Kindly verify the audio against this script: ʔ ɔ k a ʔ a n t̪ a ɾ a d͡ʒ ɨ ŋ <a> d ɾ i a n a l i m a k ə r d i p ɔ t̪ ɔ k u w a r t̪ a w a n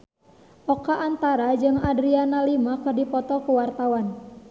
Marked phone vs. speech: correct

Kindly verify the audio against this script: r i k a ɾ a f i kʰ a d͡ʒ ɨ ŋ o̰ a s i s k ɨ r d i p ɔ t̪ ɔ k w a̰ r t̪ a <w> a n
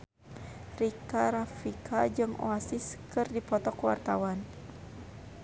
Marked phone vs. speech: correct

